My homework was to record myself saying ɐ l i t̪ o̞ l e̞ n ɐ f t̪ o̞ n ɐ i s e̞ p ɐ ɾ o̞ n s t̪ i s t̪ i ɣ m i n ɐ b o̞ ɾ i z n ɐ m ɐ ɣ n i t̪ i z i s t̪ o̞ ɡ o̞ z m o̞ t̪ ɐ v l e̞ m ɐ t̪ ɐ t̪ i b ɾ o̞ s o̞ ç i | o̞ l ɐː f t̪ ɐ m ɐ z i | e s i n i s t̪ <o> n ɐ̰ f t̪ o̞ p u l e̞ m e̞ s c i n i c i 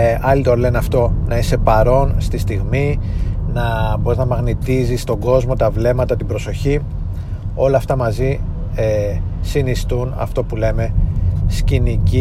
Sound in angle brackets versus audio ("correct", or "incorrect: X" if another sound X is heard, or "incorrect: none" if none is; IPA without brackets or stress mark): incorrect: u